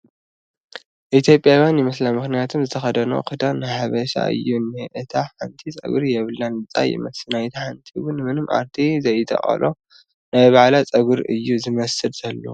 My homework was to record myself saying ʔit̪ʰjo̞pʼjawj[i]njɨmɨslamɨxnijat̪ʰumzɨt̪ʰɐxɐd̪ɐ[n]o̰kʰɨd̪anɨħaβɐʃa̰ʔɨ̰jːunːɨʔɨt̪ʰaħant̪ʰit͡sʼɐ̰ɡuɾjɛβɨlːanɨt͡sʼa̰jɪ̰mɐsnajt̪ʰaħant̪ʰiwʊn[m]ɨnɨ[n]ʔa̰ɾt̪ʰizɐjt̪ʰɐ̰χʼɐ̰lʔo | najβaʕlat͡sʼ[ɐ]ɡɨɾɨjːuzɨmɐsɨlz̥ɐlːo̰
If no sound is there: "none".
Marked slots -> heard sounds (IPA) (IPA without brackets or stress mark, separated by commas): a, n, m, m, ɐ